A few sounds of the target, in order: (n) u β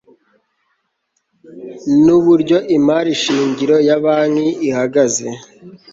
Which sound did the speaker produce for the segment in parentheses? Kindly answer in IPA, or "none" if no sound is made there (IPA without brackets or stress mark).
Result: n